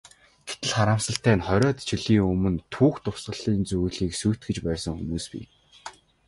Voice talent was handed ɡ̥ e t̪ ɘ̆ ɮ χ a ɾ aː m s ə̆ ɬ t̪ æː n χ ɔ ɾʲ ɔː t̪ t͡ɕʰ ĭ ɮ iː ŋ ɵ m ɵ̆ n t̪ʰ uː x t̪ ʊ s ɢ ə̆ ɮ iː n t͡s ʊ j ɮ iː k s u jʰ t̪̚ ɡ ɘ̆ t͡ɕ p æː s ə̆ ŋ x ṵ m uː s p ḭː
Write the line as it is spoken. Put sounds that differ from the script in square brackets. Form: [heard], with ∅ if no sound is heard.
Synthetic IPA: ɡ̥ e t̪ ɘ̆ ɮ χ a ɾ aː m s ə̆ ɬ t̪ æː n χ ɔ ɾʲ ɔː t̪ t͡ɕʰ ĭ ɮ iː ŋ ɵ m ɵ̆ n t̪ʰ uː x t̪ ʊ s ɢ ə̆ ɮ iː n t͡s [u] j ɮ iː k s u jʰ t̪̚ ɡ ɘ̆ t͡ɕ p æː s ə̆ ŋ x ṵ m uː s p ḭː